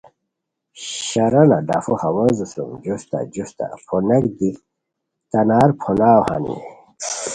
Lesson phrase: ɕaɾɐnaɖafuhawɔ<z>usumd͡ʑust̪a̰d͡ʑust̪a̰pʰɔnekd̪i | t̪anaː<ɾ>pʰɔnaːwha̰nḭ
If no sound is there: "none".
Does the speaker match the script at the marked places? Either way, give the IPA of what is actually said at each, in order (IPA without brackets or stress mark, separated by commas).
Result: z, ɾ